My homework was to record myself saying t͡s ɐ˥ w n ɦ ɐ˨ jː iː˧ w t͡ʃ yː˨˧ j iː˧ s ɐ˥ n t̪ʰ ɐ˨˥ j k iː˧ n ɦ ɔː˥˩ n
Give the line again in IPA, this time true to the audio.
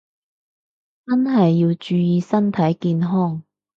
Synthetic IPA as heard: t͡s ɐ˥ n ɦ ɐ˨ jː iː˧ w t͡ʃ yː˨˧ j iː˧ s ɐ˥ n t̪ʰ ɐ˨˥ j k iː˧ n ɦ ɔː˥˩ ŋ